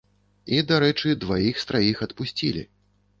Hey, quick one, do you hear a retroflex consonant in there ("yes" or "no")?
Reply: yes